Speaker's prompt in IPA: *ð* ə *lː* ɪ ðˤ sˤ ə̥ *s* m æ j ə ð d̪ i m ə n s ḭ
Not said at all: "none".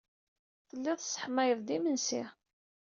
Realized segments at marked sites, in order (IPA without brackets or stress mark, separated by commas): θ, lː, ħ